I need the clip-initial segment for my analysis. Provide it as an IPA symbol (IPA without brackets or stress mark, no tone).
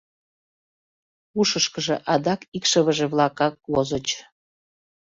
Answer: u